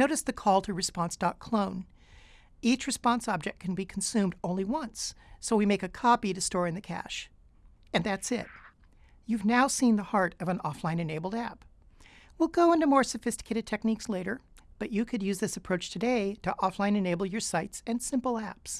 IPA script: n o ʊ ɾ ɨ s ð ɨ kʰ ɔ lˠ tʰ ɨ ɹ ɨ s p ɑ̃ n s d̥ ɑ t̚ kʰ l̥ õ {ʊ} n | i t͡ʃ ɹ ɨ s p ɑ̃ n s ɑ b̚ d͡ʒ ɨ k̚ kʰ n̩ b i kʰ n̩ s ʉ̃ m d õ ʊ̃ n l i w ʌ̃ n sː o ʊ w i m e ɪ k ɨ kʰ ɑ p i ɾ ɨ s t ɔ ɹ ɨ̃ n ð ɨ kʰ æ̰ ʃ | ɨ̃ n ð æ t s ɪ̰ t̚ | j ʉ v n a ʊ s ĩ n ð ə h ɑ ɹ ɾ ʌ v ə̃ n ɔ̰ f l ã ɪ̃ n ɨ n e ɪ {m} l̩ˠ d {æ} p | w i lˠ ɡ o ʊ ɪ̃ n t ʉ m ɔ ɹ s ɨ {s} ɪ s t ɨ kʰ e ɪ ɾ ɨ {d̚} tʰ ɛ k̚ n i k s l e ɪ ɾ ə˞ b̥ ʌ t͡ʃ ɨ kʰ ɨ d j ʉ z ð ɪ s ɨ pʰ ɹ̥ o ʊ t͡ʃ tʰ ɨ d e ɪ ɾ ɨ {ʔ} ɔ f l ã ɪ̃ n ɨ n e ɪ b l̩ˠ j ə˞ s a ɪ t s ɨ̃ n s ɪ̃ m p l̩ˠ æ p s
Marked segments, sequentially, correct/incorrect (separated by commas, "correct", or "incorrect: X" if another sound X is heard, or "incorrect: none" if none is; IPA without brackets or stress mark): incorrect: ʊ̃, incorrect: b, correct, incorrect: f, correct, correct